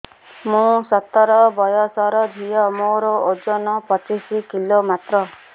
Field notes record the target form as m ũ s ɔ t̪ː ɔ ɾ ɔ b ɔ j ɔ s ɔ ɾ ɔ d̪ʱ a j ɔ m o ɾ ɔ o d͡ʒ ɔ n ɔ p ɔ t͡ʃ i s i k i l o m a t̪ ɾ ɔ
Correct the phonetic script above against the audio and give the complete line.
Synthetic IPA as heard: m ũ s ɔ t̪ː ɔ ɾ ɔ b ɔ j ɔ s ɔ ɾ ɔ d̪ʱ i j ɔ m o ɾ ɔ o d͡ʒ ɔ n ɔ p ɔ t͡ʃ i s i k i l o m a t̪ ɾ ɔ